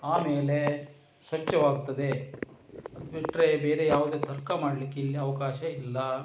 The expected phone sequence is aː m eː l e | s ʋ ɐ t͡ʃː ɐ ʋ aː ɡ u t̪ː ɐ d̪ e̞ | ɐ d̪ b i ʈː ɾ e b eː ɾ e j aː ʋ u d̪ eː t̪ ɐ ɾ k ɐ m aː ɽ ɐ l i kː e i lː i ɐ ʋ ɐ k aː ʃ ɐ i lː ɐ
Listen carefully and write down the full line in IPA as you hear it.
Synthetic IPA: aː m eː l e | s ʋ ɐ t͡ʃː ɐ ʋ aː ɡ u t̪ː ɐ d̪ e̞ | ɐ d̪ b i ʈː ɾ e b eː ɾ e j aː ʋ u d̪ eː t̪ ɐ ɾ k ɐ m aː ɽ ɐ l i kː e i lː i ɐ ʋ ɐ k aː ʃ ɐ i lː ɐ